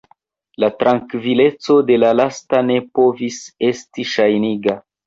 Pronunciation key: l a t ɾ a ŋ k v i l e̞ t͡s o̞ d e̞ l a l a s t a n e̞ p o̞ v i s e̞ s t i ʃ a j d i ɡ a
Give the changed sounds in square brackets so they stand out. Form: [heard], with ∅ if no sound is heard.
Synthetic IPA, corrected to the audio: l a t ɾ a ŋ k v i l e̞ t͡s o̞ d e̞ l a l a s t a n e̞ p o̞ v i s e̞ s t i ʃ a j [n] i ɡ a